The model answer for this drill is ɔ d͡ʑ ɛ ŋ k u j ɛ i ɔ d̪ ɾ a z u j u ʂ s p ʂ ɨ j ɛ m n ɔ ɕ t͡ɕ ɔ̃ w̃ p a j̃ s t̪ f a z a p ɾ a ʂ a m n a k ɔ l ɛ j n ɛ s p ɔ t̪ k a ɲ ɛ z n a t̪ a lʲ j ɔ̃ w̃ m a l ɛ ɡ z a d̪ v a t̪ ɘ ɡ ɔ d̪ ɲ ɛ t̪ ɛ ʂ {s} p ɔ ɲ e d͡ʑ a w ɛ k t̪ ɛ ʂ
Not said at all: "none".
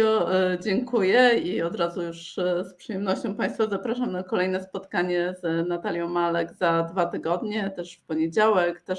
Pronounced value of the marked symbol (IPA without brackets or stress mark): f